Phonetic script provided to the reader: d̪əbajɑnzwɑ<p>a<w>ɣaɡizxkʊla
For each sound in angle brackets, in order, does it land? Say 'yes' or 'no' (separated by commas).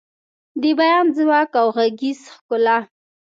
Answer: no, yes